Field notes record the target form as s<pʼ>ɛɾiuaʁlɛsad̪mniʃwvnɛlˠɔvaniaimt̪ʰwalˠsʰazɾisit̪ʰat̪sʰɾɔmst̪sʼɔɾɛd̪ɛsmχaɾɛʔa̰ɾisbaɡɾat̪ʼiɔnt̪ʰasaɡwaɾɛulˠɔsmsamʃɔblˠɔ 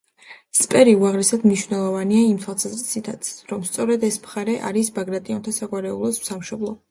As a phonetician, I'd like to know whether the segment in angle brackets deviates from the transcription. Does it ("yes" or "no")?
no